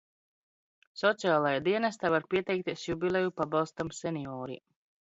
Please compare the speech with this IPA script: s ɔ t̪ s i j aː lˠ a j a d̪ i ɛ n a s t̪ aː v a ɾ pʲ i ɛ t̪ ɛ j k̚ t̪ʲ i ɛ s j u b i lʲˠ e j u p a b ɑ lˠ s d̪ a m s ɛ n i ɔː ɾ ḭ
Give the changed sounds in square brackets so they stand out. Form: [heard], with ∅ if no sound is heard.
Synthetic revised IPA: s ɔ t̪ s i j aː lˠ a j a d̪ i ɛ n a s t̪ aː v a ɾ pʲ i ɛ t̪ ɛ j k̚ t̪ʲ i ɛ s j u b i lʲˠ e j u p a b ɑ lˠ s [t̪] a m s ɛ n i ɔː ɾ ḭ